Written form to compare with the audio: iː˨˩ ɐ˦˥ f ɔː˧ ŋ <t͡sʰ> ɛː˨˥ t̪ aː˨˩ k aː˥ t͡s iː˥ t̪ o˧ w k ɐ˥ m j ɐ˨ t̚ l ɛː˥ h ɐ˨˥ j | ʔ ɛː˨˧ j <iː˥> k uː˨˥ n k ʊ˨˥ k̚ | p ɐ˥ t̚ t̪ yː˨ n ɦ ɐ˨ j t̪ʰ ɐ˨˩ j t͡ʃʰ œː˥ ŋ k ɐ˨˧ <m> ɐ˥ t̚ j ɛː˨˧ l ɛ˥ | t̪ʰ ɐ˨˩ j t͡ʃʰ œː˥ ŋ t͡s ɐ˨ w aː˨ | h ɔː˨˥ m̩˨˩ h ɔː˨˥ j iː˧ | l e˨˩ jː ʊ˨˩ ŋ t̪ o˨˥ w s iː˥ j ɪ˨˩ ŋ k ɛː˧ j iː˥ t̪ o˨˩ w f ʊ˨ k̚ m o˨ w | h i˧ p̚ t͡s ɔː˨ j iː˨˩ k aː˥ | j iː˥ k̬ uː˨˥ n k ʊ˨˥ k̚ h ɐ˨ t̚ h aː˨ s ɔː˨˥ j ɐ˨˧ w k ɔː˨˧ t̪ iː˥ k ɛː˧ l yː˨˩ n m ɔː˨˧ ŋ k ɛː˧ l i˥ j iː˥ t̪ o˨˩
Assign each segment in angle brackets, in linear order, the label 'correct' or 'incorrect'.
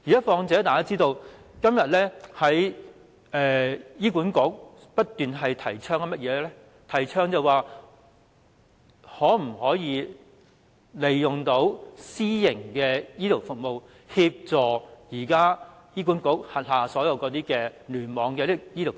incorrect, correct, correct

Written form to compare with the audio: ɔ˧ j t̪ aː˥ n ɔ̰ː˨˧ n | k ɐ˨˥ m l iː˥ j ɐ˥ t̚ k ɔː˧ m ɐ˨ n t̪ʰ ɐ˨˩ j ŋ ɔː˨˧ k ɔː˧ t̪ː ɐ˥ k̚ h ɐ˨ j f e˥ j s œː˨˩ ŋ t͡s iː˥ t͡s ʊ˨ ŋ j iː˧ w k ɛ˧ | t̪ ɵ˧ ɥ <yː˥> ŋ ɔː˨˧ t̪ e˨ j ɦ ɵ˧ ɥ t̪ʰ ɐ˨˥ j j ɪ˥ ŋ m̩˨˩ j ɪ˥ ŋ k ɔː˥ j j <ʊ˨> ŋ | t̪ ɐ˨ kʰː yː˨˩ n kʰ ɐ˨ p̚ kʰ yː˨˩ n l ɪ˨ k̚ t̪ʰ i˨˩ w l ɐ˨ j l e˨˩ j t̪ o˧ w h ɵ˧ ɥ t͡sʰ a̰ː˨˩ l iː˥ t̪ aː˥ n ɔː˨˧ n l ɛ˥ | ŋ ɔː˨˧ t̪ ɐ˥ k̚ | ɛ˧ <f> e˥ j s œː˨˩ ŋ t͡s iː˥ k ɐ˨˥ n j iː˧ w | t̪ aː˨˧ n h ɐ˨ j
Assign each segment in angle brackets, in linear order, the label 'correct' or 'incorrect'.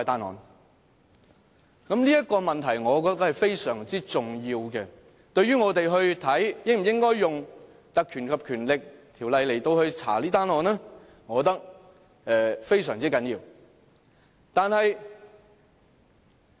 correct, correct, correct

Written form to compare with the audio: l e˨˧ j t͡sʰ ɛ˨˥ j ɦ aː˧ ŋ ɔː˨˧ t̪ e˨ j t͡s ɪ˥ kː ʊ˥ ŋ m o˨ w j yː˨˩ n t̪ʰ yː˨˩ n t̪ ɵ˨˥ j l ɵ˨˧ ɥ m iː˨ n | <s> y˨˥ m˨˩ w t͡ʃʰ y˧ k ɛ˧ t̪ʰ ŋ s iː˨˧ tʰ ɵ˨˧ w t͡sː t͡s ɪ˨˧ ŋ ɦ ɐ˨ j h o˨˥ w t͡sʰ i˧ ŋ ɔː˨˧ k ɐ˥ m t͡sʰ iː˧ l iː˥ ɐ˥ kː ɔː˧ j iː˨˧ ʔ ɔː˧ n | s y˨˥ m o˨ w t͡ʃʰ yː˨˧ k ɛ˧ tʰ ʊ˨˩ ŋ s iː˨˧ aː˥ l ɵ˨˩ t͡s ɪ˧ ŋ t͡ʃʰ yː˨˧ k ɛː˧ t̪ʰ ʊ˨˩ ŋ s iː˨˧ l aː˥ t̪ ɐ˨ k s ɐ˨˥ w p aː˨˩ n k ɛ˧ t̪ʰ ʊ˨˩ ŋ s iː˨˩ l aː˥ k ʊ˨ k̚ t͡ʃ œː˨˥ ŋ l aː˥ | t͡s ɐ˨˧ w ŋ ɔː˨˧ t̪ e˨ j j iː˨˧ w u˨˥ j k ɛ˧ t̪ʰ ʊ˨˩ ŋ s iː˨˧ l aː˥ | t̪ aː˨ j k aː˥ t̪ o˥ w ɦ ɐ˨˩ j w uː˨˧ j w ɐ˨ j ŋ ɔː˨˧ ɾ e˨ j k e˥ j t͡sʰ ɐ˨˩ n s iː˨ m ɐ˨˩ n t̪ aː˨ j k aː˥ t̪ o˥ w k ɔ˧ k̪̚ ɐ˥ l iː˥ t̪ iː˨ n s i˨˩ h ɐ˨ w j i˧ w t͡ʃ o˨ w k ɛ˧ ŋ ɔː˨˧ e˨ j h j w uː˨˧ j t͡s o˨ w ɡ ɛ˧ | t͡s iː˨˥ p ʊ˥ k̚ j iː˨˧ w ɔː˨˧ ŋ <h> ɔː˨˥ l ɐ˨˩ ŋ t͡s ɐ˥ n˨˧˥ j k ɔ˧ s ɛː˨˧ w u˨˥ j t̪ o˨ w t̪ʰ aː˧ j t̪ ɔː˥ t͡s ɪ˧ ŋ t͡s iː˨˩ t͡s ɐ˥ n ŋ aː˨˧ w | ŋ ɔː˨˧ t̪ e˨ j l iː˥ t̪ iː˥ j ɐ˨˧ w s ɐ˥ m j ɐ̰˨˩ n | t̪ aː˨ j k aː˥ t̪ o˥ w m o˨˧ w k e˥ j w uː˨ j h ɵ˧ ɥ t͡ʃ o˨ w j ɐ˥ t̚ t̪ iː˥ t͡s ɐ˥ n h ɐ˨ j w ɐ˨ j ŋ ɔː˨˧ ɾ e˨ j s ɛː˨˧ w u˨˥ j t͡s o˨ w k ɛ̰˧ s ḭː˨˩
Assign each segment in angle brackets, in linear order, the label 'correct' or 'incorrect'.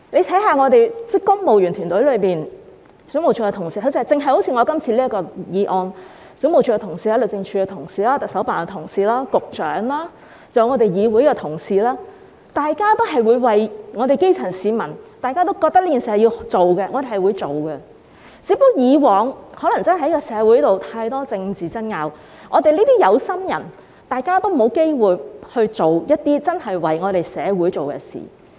correct, correct

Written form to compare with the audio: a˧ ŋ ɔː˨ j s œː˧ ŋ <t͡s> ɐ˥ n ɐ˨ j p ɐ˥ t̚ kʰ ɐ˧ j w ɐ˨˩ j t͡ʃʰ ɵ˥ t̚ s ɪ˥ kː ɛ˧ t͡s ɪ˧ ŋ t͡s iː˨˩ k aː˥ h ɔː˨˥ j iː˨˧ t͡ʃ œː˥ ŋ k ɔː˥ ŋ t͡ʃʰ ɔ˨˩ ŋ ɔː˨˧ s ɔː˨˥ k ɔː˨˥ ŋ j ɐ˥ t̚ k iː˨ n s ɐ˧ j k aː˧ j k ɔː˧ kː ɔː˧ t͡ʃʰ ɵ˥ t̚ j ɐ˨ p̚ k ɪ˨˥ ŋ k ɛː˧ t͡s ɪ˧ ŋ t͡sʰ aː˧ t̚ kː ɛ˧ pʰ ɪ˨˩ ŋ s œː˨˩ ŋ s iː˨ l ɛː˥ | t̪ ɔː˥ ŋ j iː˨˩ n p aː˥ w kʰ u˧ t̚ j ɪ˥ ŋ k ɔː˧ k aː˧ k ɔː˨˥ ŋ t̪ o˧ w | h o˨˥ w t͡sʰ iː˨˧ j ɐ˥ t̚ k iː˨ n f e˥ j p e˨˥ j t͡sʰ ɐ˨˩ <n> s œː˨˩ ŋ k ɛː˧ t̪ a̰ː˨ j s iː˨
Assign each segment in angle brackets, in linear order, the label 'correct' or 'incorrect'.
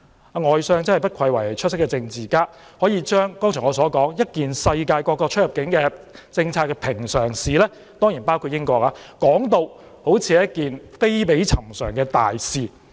correct, incorrect

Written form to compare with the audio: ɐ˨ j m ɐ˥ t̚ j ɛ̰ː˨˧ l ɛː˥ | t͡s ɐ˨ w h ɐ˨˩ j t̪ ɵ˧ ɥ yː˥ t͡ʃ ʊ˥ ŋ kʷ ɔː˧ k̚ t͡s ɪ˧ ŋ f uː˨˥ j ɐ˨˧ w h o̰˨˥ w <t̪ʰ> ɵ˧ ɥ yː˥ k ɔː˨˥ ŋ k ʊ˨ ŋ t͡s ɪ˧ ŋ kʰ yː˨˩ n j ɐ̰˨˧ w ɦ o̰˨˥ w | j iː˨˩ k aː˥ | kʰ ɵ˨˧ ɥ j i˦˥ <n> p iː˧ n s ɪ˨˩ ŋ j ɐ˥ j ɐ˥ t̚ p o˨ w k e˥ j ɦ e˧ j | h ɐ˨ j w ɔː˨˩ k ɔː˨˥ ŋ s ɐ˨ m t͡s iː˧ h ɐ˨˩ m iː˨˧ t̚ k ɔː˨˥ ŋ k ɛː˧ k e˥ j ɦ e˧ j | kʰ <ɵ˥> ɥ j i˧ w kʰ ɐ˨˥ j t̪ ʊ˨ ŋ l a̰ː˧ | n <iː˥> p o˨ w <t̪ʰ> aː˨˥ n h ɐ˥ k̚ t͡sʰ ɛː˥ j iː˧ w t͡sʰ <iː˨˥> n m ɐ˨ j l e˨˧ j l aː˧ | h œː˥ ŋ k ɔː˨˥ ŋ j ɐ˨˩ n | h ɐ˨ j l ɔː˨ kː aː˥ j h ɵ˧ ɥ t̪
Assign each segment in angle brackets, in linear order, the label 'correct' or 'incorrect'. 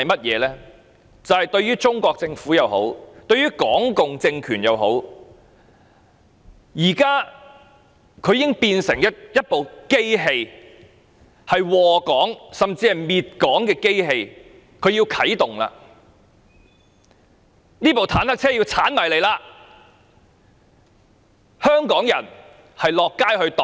incorrect, incorrect, incorrect, correct, correct, incorrect

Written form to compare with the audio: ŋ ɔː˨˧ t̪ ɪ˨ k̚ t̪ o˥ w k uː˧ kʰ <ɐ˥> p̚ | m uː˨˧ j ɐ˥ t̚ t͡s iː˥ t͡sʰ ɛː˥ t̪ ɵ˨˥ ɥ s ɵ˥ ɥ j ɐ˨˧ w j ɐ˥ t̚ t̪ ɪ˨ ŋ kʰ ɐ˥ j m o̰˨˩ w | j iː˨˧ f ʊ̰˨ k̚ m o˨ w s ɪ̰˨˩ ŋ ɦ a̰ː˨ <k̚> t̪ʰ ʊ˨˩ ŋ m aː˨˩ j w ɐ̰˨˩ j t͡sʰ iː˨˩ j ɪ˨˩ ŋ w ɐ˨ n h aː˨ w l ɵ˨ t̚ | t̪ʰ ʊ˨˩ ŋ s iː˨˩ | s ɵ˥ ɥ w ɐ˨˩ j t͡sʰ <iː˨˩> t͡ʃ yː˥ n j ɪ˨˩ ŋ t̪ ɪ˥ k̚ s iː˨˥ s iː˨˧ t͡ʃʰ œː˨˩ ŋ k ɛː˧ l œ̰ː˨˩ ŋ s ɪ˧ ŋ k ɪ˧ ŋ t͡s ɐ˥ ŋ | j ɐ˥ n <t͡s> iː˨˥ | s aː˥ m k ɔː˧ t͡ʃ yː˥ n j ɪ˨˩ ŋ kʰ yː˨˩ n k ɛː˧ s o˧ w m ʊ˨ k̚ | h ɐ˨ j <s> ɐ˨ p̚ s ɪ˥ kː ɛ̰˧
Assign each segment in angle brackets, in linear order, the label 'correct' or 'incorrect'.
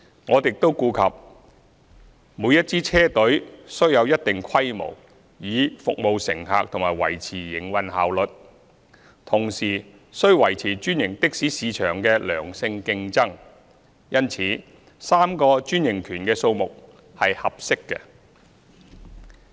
incorrect, correct, correct, incorrect, incorrect

